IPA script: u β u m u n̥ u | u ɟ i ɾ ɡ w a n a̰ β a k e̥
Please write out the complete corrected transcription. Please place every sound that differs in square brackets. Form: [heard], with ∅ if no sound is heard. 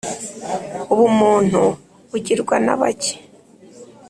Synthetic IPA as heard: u β u m [uː] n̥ u | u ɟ i ɾ ɡ w a n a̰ β a [c] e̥